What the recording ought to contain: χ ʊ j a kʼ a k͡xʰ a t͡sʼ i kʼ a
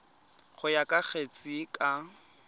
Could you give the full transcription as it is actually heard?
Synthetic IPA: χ ʊ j a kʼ a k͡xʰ e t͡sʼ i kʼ a